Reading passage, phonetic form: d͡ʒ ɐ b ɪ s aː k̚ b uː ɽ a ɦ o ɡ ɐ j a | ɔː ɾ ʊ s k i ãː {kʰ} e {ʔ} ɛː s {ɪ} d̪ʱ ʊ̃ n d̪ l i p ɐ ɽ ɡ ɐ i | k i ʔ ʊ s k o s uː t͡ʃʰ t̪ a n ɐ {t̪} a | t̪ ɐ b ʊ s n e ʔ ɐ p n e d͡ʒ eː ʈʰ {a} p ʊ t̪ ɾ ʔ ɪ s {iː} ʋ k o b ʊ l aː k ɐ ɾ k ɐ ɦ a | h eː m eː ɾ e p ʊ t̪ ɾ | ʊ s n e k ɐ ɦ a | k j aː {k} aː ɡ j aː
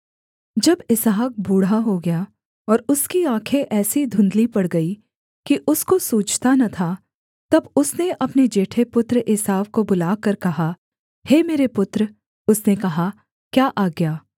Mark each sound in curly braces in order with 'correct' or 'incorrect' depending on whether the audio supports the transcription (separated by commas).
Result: correct, correct, incorrect, incorrect, incorrect, incorrect, incorrect